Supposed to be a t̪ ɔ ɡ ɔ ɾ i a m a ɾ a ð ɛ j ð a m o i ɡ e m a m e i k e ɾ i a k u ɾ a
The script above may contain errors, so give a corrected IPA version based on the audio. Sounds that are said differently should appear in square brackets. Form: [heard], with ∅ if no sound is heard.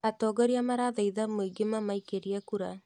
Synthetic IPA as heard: a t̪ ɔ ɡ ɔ ɾ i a m a ɾ a ð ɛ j ð a m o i ɡ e m a m [a] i k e ɾ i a k u ɾ a